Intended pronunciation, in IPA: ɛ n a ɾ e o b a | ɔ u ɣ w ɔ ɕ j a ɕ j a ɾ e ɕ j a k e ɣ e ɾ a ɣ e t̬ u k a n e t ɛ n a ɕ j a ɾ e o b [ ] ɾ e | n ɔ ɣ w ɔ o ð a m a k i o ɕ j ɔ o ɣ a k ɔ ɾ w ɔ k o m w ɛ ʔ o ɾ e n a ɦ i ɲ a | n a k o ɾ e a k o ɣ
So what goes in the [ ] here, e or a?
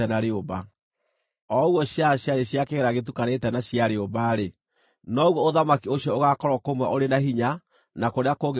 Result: a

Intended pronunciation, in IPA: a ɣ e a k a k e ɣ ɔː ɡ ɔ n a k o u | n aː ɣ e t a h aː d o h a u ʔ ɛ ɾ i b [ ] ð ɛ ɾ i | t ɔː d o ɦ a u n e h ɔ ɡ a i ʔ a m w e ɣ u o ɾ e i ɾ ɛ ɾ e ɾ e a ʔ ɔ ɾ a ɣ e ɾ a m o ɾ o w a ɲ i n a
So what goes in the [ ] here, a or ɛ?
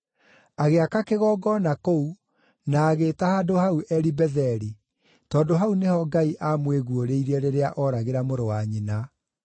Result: ɛ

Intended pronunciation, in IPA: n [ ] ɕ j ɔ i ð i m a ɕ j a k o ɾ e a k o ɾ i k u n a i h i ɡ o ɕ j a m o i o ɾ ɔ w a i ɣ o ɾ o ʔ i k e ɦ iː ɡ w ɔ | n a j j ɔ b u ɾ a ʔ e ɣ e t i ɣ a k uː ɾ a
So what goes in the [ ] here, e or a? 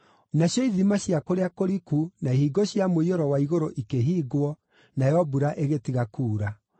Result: a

